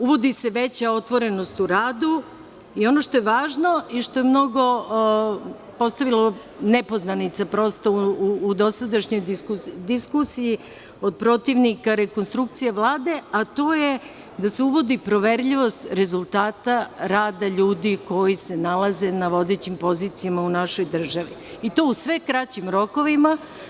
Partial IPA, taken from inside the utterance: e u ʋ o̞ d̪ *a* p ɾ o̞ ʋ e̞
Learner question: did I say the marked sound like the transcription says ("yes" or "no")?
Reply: no